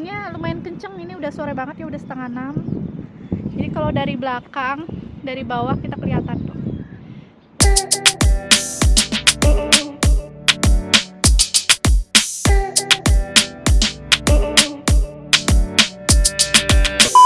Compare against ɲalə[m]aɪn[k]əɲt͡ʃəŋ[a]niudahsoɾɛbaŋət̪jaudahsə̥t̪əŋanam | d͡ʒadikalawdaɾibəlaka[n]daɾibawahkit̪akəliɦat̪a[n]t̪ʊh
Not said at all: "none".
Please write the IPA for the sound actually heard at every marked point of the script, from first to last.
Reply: m, k, i, ŋ, n

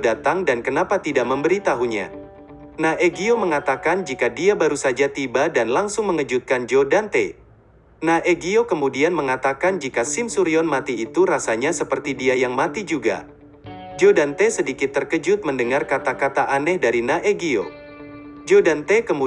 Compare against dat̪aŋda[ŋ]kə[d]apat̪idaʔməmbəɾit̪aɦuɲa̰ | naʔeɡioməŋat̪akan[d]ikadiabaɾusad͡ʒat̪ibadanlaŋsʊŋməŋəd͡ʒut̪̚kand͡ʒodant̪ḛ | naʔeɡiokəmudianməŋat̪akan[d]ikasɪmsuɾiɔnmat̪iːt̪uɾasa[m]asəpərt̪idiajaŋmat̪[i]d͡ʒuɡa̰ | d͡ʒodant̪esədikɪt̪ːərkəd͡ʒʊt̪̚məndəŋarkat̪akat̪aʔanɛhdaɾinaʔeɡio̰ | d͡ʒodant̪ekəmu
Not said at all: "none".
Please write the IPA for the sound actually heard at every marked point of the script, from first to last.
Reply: n, n, d͡ʒ, d͡ʒ, ɲ, i

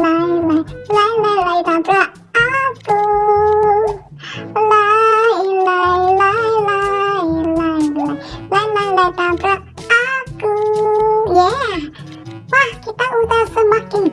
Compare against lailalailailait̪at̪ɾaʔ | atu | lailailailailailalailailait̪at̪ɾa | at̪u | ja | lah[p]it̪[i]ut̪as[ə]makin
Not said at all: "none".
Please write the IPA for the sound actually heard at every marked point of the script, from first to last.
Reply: k, a, ə

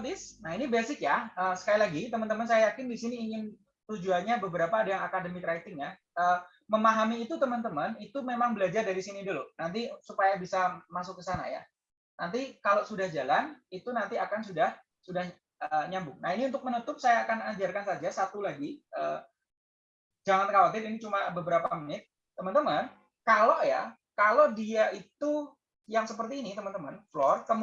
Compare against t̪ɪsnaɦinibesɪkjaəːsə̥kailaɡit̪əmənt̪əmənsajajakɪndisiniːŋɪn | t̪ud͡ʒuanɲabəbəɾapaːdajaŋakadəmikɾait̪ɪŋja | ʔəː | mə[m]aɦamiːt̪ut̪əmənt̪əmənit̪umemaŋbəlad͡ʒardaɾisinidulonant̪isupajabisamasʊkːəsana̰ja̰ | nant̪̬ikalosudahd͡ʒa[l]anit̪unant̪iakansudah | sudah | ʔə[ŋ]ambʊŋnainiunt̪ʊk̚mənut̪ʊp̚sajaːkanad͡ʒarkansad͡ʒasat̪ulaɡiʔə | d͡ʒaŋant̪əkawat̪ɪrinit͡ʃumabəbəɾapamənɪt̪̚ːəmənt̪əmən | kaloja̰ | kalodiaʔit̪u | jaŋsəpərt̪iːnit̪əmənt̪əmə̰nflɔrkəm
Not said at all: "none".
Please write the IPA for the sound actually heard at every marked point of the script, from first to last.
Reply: m, l, ɲ

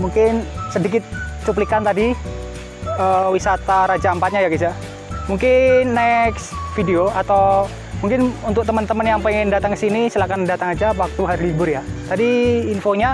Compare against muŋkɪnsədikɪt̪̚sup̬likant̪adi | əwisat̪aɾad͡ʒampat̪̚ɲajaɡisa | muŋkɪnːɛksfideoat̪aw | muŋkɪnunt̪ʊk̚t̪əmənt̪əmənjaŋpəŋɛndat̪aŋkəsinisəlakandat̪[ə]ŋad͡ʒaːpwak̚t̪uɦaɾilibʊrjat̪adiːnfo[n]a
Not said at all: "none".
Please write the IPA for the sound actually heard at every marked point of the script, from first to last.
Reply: a, ɲ

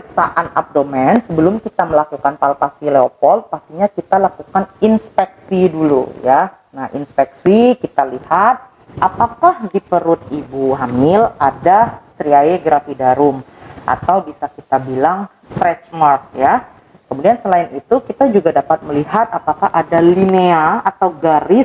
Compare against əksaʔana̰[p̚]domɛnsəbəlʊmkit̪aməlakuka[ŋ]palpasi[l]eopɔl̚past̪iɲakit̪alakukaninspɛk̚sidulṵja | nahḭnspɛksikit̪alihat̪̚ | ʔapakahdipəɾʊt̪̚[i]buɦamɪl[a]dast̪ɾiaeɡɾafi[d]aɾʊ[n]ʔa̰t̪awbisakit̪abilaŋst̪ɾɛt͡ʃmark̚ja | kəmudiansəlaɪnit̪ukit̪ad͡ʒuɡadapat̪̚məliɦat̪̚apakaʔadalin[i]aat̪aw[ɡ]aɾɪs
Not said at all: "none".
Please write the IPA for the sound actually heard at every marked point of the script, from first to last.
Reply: p̚, n, l, i, a, d, m, e, ɡ

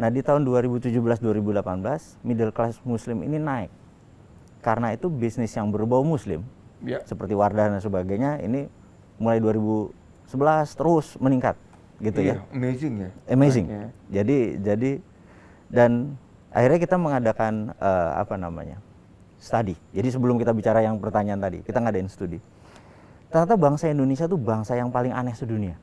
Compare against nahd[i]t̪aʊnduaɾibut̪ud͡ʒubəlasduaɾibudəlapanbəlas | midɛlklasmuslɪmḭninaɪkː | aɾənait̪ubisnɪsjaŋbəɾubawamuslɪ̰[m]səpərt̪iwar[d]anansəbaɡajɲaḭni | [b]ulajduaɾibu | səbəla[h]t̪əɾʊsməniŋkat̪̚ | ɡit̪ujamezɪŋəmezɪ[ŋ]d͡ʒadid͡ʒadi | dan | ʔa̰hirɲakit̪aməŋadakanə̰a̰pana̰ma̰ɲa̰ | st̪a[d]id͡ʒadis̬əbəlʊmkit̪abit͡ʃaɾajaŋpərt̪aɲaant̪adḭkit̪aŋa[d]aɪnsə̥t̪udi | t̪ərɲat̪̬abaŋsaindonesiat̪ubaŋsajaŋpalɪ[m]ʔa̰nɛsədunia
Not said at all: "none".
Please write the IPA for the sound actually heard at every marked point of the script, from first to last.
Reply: i, m, d, m, s, ŋ, d, d, ŋ

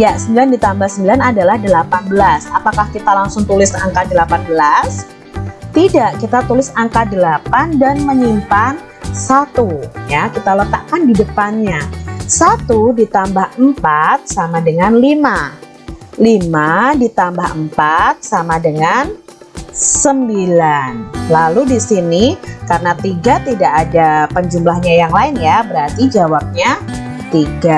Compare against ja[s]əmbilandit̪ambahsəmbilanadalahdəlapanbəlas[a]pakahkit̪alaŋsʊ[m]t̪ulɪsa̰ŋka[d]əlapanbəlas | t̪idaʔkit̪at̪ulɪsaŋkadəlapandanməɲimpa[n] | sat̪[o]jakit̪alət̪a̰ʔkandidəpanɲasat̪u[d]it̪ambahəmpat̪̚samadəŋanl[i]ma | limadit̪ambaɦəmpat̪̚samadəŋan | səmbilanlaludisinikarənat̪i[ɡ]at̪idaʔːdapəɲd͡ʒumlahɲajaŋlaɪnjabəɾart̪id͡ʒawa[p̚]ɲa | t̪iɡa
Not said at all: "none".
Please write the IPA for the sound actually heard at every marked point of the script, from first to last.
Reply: s, a, ŋ, d, n, u, d, i, ɡ, p̚

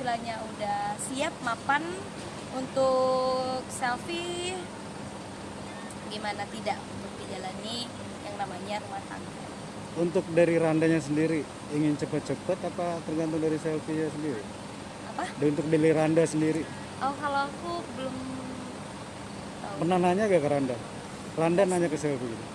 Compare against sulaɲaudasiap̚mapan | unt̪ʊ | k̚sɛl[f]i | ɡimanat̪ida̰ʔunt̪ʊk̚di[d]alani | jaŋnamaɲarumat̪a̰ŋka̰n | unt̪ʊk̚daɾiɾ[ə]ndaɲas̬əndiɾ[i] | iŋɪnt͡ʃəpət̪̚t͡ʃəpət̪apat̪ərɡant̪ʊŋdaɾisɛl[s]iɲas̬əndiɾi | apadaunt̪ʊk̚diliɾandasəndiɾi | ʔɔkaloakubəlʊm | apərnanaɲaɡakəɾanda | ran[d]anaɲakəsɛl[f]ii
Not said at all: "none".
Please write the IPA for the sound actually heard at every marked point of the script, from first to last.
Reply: f, d͡ʒ, a, i, f, d, f

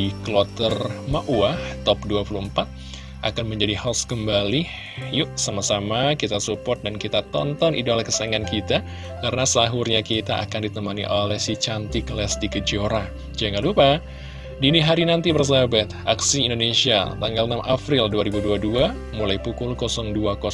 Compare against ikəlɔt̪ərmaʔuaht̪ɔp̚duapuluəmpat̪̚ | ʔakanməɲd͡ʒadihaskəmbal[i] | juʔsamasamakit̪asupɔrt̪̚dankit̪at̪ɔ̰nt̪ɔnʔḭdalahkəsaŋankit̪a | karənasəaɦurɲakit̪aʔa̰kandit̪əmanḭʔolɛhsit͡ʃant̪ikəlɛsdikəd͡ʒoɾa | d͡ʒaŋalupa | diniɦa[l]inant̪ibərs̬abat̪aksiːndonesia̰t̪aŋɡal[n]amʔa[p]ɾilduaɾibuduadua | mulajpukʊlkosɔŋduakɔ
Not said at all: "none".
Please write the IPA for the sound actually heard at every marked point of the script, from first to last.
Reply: i, ɾ, n, p

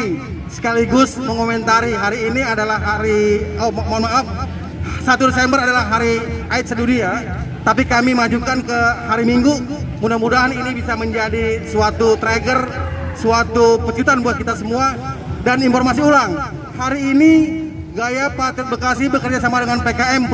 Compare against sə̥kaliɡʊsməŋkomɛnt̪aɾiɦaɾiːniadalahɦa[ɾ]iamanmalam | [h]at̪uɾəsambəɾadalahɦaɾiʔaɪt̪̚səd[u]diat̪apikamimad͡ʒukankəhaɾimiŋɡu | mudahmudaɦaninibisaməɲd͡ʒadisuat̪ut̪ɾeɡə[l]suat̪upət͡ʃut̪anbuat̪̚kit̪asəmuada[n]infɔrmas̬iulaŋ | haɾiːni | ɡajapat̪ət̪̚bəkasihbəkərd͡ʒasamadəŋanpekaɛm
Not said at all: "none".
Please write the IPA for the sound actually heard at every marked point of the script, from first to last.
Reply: ɾ, s, u, r, n

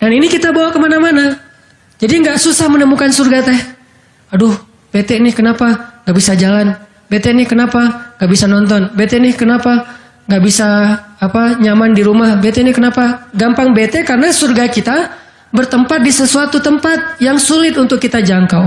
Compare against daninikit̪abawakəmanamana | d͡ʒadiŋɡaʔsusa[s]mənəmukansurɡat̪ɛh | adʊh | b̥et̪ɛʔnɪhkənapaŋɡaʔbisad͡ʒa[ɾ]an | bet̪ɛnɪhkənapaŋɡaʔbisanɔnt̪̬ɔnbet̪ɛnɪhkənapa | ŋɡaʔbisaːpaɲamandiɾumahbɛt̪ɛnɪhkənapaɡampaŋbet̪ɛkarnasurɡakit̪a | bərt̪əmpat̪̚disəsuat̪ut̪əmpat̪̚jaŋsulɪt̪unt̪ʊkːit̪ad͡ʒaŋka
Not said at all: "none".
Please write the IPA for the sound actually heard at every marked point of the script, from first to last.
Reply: h, l

